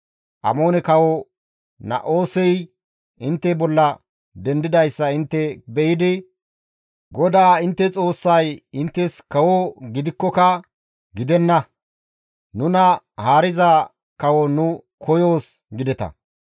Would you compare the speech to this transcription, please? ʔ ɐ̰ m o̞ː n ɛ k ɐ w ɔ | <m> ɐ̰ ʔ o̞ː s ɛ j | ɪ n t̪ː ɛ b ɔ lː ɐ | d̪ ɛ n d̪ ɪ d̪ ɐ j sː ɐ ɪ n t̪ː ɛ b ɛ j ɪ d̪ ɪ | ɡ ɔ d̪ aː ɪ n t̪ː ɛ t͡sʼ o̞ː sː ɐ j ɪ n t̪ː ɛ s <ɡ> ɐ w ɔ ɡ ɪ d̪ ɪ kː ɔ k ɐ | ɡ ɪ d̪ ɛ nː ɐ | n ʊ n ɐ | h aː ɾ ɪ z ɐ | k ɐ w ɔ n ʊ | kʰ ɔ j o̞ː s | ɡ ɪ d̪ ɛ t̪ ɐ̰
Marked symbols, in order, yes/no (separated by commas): no, no